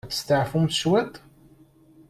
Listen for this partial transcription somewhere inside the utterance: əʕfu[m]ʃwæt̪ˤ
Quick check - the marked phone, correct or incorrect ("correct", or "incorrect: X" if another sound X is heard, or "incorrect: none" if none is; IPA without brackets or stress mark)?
correct